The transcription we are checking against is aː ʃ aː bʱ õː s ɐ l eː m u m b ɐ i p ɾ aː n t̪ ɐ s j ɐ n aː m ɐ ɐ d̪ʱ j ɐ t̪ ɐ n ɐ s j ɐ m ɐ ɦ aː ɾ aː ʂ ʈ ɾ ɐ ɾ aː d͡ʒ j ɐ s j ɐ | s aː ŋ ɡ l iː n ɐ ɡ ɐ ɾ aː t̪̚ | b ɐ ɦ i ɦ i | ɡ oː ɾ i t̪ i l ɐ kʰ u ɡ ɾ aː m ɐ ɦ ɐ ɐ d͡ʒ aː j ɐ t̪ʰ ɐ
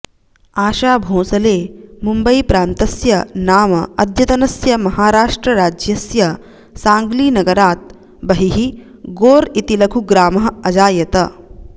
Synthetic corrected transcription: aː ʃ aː bʱ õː s ɐ l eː m u m b ɐ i p ɾ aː n t̪ ɐ s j ɐ n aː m ɐ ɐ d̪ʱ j ɐ t̪ ɐ n ɐ s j ɐ m ɐ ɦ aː ɾ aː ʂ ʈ ɾ ɐ ɾ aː d͡ʒ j ɐ s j ɐ | s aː ŋ ɡ l iː n ɐ ɡ ɐ ɾ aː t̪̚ | b ɐ ɦ i ɦ i | ɡ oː ɾ i t̪ i l ɐ kʰ u ɡ ɾ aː m ɐ ɦ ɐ ɐ d͡ʒ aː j ɐ t̪ ɐ